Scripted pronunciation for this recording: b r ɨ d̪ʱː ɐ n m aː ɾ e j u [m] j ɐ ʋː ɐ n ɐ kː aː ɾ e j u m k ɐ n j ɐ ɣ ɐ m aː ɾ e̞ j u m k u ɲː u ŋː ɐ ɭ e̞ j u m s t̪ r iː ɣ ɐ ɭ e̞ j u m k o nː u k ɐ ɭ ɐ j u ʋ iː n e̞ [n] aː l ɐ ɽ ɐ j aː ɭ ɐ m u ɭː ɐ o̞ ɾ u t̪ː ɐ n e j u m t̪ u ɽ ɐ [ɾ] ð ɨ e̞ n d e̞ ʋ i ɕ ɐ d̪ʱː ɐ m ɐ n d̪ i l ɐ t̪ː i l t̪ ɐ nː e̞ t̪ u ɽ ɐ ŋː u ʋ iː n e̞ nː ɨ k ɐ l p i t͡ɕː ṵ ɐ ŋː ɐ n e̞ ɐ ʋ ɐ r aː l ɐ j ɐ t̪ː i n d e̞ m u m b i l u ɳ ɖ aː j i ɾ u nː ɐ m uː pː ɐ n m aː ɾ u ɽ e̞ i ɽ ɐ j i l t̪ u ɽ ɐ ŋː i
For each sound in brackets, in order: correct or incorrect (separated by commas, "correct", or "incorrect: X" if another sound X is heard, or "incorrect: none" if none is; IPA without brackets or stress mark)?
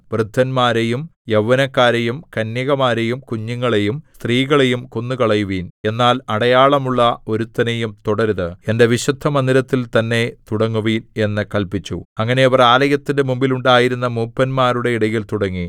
correct, incorrect: nː, correct